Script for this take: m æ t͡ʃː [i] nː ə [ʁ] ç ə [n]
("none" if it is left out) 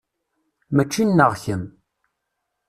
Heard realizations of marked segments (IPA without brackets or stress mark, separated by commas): i, ʁ, m